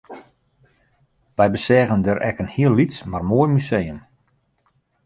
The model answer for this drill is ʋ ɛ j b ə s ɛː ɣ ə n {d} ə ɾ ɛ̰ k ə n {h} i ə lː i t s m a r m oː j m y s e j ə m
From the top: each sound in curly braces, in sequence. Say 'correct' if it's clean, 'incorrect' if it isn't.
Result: correct, correct

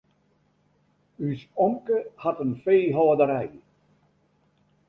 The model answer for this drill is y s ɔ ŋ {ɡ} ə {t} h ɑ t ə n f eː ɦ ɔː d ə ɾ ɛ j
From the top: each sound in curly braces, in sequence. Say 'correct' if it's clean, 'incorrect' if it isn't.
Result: incorrect: k, incorrect: none

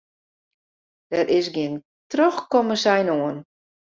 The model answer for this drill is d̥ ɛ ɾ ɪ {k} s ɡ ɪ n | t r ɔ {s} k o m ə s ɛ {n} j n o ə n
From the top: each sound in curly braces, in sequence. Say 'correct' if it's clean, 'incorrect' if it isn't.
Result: incorrect: none, incorrect: x, incorrect: none

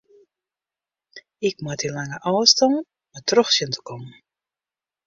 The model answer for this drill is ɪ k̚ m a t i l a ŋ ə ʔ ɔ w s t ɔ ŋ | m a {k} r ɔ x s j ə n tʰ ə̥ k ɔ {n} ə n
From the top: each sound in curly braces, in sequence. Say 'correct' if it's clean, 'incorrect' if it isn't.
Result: incorrect: t, incorrect: m

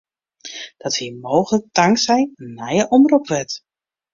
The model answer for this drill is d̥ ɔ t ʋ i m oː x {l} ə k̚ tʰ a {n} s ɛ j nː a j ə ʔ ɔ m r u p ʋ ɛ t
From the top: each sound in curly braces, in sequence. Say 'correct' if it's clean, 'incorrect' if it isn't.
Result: correct, incorrect: ŋ

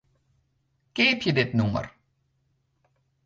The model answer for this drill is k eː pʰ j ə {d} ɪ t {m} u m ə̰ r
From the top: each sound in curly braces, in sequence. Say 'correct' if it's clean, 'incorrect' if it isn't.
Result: correct, incorrect: n

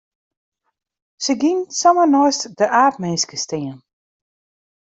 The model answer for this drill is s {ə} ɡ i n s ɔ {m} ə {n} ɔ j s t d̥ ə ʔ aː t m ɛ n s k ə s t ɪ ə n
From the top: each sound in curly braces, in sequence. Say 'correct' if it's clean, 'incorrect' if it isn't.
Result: correct, correct, correct

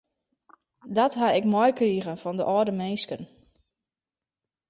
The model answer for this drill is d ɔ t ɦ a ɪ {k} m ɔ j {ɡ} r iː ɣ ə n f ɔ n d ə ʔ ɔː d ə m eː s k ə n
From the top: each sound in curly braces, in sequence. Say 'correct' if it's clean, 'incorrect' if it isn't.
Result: correct, incorrect: k

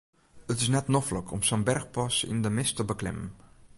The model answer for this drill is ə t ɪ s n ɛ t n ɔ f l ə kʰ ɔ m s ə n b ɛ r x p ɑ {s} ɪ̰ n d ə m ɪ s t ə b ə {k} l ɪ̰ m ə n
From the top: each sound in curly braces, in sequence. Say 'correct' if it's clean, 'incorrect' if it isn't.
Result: correct, correct

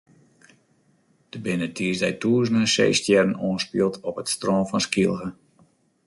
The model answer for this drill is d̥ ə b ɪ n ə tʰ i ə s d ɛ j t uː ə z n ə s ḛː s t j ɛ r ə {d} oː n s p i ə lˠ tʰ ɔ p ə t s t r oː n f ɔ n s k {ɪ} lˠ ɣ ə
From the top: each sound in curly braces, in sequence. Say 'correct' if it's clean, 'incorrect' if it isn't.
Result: incorrect: n, incorrect: i

